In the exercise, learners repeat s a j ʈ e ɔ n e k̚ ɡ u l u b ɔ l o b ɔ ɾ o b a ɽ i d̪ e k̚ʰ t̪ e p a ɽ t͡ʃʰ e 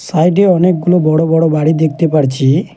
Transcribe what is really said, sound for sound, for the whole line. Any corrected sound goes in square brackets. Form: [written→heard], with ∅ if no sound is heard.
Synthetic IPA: s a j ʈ e ɔ n e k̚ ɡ u l [u→o] b ɔ [l→ɽ] o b ɔ [ɾ→ɽ] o b a ɽ i d̪ e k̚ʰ t̪ e p a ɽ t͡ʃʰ [e→i]